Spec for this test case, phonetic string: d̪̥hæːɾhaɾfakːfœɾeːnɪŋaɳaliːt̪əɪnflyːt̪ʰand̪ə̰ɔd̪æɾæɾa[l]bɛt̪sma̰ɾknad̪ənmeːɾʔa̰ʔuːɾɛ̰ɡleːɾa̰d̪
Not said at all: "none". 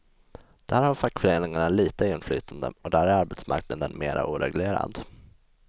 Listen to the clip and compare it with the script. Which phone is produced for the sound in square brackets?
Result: ɾ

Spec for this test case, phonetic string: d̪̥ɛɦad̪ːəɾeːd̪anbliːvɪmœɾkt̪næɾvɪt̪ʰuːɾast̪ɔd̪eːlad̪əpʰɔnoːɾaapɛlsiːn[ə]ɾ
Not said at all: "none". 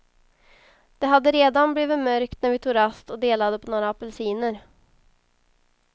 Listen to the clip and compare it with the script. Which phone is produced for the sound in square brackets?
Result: ə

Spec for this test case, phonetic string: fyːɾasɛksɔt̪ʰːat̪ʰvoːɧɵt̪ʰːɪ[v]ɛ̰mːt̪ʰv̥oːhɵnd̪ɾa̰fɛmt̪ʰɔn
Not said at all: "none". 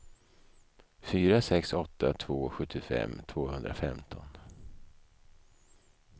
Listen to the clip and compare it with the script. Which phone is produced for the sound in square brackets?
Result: f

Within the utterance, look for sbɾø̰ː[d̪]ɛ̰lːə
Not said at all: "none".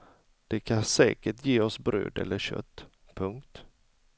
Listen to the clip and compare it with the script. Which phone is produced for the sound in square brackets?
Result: d̪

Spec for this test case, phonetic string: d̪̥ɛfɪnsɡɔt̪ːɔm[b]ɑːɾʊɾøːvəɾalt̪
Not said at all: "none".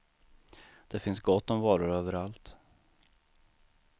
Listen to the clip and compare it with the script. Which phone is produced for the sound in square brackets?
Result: v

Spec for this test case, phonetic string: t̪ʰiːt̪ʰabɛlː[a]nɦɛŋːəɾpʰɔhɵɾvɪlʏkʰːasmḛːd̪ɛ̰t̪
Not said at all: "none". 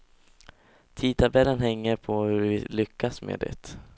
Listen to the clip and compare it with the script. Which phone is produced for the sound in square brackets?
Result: ə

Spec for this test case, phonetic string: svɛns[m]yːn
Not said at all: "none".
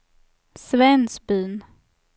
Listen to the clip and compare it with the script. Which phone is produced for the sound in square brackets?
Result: b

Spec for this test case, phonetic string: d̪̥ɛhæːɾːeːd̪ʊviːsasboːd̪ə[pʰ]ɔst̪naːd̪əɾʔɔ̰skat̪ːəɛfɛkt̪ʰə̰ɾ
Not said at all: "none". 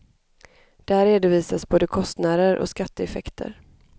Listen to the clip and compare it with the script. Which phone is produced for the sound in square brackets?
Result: kʰ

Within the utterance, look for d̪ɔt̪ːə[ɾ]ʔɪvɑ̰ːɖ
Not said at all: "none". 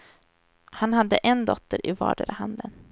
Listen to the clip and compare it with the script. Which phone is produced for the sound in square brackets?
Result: ɾ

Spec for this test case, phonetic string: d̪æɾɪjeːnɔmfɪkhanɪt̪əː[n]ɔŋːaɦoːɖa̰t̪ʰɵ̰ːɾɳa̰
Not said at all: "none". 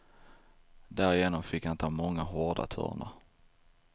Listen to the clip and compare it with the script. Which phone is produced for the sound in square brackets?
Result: m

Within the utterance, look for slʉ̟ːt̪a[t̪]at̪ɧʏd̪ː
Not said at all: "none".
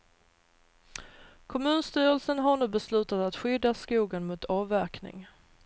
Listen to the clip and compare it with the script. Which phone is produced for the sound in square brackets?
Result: t̪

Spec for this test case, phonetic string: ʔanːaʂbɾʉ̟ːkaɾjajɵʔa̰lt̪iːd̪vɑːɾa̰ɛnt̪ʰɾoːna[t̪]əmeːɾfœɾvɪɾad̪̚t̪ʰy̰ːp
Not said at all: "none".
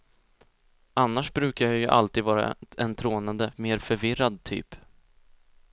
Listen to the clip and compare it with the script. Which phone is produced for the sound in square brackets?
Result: d̪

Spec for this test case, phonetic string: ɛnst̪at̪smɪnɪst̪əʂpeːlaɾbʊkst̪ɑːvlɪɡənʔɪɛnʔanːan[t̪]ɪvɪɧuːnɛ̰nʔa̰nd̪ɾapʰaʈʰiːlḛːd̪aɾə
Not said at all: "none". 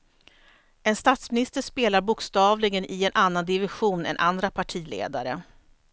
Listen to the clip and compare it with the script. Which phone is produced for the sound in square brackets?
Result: d̪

